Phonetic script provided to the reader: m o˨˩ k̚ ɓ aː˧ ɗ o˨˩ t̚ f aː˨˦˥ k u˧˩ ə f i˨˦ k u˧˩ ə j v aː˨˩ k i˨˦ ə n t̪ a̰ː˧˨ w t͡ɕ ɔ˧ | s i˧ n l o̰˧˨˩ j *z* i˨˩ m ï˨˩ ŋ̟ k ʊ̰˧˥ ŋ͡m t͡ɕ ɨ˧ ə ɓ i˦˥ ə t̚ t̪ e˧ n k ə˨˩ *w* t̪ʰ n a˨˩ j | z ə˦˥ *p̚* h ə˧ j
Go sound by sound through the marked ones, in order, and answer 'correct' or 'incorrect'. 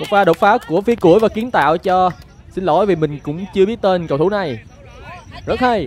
incorrect: v, correct, incorrect: t̚

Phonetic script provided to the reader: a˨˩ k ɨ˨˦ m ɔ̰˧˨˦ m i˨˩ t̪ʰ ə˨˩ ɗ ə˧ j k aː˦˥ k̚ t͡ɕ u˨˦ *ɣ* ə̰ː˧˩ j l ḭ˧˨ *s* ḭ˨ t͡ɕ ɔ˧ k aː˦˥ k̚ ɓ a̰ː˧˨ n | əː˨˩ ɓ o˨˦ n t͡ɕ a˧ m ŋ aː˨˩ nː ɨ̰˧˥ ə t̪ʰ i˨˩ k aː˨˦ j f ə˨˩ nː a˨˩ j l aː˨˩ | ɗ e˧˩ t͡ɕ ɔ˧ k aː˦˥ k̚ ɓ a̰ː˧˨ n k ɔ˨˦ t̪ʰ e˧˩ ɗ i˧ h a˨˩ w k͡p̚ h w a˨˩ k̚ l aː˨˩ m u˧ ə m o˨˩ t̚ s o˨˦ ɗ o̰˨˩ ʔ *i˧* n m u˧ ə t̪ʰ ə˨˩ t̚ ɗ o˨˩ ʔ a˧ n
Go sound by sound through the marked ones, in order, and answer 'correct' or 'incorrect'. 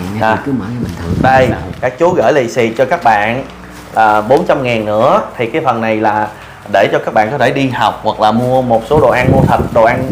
correct, correct, incorrect: a˧

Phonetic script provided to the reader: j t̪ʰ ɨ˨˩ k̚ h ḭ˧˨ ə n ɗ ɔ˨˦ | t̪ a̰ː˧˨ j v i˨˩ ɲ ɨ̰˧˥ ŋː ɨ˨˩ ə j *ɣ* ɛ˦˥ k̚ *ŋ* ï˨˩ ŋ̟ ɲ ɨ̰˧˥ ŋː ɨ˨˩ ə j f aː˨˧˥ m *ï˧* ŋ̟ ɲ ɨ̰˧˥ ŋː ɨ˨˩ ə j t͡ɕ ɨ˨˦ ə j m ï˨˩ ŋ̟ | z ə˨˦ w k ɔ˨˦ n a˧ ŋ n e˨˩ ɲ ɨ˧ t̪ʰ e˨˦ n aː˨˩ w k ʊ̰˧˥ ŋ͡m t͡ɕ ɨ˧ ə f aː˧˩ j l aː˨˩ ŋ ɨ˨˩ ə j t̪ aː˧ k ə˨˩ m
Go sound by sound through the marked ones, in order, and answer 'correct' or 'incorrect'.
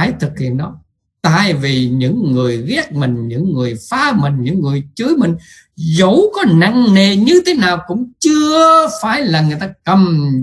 correct, incorrect: m, incorrect: ï˨˩

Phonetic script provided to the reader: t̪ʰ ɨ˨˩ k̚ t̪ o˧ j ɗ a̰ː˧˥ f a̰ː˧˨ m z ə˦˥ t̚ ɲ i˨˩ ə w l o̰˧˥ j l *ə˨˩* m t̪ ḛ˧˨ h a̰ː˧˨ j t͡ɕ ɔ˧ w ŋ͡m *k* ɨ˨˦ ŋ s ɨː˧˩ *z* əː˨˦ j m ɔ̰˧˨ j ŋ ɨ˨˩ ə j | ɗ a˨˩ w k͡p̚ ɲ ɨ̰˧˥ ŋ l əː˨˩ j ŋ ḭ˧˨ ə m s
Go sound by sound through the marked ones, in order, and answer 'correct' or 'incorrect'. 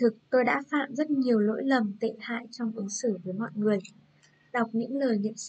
correct, incorrect: ʔ, incorrect: v

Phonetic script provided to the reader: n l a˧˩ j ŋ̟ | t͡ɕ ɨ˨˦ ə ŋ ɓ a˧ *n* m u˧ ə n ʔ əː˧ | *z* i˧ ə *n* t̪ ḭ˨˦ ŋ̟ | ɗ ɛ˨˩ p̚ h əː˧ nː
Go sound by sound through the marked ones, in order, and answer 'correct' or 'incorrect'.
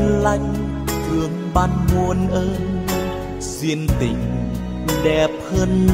correct, correct, correct

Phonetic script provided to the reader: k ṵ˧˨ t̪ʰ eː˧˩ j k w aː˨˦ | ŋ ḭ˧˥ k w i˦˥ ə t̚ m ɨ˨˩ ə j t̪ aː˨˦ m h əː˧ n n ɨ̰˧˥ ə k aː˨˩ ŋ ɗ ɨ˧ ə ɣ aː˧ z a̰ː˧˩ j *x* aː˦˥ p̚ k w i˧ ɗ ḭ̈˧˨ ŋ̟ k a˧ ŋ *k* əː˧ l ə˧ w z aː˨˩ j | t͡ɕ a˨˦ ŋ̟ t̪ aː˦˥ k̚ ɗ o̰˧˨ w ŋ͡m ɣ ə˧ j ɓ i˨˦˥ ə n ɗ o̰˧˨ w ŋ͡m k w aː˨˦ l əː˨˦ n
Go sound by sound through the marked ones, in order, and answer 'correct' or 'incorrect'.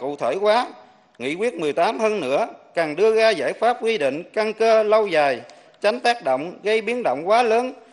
incorrect: f, correct

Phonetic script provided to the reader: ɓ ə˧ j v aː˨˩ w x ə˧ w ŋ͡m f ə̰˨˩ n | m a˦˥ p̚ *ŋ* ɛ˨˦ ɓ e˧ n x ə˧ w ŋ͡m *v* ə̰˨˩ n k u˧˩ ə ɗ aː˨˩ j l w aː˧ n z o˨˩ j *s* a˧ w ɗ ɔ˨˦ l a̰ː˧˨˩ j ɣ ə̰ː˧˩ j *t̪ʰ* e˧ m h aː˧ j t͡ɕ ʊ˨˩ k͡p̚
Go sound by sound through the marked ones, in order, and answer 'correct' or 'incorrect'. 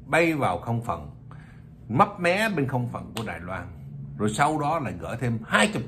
incorrect: m, incorrect: f, correct, correct

